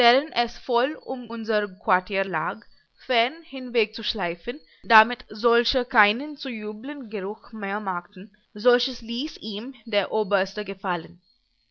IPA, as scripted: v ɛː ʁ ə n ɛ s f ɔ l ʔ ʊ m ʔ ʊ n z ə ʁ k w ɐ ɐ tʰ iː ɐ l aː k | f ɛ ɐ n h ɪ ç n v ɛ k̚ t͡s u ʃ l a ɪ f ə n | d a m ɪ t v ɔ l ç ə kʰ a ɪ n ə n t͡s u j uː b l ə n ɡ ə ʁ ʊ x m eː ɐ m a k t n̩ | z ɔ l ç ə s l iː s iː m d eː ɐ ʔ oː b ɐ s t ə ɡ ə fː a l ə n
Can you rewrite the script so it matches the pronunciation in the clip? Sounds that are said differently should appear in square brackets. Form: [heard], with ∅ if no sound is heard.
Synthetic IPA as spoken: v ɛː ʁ ə n ɛ s f ɔ l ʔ ʊ m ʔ ʊ n z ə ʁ k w [a] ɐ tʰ iː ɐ l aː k | f ɛ ɐ n h ɪ [∅] n v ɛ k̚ t͡s u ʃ l a ɪ f ə n | d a m ɪ t [z] ɔ l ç ə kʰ a ɪ n ə n t͡s u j uː b l ə n ɡ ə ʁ ʊ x m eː ɐ m a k t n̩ | z ɔ l ç ə s l iː s iː m d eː ɐ ʔ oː b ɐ s t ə ɡ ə [f] a l ə n